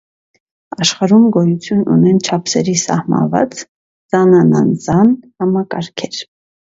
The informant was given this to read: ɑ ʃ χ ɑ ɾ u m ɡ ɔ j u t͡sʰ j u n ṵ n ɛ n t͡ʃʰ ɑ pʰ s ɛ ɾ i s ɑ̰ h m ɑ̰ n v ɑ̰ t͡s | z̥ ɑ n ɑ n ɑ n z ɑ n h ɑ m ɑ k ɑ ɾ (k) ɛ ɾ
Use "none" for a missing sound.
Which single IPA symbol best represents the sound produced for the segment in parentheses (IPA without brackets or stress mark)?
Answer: kʰ